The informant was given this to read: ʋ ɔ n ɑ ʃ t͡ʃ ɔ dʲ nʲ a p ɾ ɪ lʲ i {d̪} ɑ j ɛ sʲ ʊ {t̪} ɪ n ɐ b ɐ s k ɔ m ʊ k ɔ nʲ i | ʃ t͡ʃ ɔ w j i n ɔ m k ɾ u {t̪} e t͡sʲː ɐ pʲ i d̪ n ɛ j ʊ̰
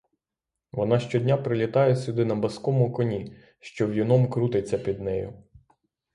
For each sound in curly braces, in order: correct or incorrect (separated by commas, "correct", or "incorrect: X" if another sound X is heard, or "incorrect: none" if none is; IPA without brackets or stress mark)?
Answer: incorrect: t̪, incorrect: d̪, correct